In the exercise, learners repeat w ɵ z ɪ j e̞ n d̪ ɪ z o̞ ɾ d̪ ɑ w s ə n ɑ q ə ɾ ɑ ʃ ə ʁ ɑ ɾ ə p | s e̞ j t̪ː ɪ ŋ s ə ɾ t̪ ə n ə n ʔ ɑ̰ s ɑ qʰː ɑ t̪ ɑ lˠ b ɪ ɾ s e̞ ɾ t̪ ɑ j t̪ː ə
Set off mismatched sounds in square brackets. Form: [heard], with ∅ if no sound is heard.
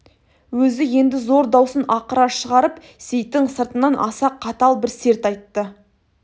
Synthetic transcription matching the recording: w ɵ z ɪ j e̞ n d̪ ɪ z o̞ ɾ d̪ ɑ w s ə n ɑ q ə ɾ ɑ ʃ ə ʁ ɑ ɾ ə p | s e̞ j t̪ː ɪ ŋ s ə ɾ t̪ ə n [ɑ] n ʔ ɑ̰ s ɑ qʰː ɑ t̪ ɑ lˠ b ɪ ɾ s e̞ ɾ t̪ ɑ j t̪ː ə